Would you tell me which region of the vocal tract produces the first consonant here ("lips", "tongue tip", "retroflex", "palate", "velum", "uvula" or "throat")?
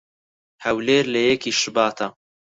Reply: throat